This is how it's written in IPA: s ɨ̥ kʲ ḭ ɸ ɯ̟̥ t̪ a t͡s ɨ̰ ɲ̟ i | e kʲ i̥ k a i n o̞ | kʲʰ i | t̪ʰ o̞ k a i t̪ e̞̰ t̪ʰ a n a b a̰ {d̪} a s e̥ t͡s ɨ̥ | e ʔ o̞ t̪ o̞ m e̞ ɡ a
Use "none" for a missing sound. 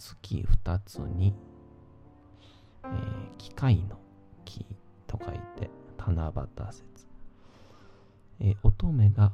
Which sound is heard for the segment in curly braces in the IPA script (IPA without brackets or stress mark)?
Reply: t̪